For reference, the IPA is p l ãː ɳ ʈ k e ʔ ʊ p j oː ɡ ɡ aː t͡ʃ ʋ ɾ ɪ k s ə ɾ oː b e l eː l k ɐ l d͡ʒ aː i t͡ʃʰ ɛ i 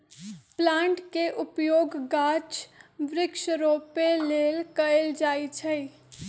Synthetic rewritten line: p l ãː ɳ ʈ k e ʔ ʊ p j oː ɡ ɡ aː t͡ʃ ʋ ɾ ɪ k ʃ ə ɾ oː p e l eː l k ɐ l d͡ʒ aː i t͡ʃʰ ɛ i